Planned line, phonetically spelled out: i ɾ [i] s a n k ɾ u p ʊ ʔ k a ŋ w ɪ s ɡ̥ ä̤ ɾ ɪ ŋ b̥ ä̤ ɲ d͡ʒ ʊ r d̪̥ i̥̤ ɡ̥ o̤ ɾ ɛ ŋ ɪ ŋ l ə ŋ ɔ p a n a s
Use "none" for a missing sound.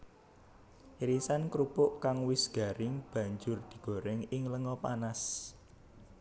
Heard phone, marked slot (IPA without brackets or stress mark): i